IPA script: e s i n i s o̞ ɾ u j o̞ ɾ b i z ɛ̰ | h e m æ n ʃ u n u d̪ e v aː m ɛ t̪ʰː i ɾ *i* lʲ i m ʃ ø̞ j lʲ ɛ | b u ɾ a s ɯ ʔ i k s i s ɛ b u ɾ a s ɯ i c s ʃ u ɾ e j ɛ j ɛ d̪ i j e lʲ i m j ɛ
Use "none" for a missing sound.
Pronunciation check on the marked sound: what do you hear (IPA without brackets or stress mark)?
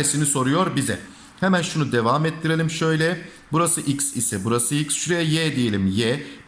e